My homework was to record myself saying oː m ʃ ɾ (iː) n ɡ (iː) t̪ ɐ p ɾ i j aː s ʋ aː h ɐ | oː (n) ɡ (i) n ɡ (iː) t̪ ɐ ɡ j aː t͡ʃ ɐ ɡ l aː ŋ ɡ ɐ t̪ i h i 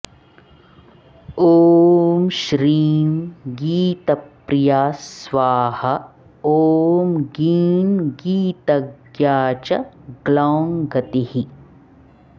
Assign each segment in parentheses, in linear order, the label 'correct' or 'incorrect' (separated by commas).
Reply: correct, correct, incorrect, incorrect, correct